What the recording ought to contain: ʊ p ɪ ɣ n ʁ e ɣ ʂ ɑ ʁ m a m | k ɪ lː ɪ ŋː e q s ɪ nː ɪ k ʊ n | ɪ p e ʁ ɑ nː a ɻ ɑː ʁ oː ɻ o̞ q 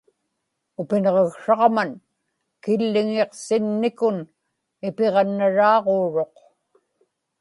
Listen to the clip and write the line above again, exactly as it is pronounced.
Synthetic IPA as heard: ʊ p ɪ n ʁ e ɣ ʂ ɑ ʁ m a n | k ɪ lː ɪ ŋ e q s ɪ nː ɪ k ʊ n | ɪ p e ʁ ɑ nː a ɻ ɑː ʁ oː ɻ o̞ q